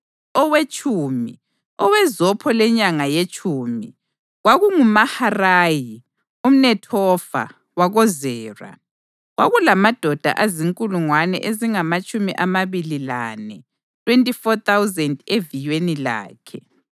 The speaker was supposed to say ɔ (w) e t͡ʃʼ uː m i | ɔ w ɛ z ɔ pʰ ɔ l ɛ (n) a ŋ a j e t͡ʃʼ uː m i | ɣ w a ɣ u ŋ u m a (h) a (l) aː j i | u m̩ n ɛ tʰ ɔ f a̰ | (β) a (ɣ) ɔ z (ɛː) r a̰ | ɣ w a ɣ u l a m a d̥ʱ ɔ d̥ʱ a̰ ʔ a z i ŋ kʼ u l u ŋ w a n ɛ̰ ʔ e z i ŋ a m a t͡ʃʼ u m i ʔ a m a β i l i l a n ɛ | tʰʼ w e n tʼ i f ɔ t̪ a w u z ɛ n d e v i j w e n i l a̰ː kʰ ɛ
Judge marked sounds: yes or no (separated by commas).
yes, no, yes, no, no, yes, yes